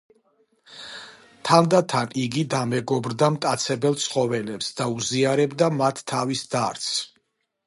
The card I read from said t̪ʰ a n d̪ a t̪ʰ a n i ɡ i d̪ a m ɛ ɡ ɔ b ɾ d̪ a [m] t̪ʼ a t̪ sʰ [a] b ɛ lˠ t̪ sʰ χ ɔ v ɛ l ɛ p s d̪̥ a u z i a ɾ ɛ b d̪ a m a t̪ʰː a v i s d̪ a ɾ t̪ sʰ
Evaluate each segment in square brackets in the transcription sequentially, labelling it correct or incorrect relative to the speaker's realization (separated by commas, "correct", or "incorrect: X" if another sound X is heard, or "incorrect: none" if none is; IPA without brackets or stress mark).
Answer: correct, incorrect: ɛ